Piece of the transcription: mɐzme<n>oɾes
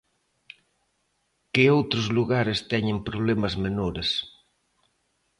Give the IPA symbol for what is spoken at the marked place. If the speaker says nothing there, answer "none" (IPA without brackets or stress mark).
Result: n